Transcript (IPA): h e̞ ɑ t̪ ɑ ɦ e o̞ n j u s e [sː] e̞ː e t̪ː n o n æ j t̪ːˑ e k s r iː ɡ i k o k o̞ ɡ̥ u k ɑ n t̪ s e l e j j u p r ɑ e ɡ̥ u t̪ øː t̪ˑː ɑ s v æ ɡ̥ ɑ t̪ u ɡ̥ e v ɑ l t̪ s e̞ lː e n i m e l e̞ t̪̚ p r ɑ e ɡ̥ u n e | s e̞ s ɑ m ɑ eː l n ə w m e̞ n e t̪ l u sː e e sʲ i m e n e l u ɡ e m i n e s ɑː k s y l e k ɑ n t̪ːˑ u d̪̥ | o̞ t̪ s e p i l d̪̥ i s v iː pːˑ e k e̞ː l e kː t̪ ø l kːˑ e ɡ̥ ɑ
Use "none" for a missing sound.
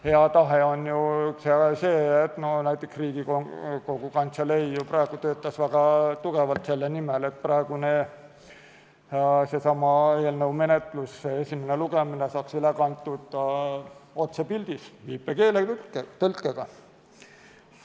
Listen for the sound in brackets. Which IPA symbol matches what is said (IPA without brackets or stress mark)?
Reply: s